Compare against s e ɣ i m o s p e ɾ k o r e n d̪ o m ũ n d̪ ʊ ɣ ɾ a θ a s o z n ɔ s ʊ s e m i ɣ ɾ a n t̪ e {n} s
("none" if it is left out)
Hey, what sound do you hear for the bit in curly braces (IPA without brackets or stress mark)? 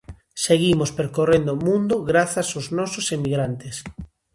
none